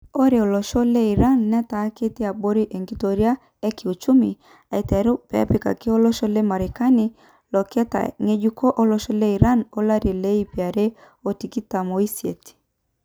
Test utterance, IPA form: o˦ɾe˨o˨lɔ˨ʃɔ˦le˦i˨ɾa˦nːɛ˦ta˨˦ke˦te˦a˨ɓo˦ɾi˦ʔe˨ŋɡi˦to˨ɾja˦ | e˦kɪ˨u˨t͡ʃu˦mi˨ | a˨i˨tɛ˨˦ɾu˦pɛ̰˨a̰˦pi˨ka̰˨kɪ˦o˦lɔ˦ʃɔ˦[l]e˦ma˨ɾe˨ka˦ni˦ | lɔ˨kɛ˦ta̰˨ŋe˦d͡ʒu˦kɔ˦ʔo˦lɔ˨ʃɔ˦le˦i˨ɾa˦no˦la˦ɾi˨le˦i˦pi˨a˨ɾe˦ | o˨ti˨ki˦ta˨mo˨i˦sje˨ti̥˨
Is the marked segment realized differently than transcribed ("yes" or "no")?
no